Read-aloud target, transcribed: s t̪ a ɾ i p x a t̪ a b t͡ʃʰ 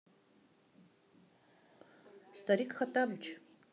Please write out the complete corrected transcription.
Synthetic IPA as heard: s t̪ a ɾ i k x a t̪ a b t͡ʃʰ